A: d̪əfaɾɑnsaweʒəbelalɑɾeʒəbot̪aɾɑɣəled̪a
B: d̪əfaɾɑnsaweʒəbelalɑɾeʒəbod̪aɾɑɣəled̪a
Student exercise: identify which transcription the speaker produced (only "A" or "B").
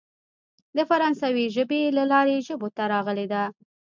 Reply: A